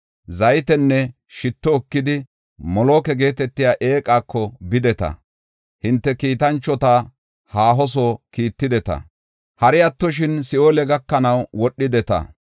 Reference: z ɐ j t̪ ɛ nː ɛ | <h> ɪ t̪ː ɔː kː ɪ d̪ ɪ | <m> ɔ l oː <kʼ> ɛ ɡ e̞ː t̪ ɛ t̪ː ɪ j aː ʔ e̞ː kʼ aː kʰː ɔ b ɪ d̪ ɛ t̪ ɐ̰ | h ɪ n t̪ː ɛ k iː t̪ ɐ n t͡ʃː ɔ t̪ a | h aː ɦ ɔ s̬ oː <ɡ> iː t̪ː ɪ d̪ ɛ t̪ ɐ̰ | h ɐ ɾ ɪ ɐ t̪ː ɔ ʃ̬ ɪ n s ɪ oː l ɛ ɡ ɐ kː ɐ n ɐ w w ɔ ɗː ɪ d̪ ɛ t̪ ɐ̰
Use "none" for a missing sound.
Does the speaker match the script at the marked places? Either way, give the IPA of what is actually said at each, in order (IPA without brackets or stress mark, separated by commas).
ʃ, m, k, k